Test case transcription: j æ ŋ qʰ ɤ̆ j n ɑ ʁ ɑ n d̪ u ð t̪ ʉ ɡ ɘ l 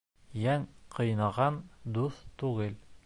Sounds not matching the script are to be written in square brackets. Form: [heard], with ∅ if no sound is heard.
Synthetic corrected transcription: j æ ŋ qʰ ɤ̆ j n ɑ ʁ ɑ n d̪ u [θ] t̪ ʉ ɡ ɘ l